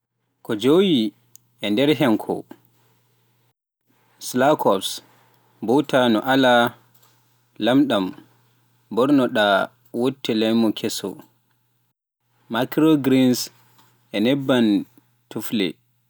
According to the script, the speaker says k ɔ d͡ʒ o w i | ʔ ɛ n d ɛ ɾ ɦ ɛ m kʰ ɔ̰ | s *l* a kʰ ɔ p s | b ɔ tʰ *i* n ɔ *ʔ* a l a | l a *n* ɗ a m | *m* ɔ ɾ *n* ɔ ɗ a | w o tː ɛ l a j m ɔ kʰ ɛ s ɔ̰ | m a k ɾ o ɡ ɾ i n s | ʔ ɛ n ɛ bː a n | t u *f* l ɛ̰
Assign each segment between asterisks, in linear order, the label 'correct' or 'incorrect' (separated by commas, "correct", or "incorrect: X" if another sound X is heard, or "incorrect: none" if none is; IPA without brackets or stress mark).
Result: correct, incorrect: a, correct, incorrect: m, incorrect: b, correct, correct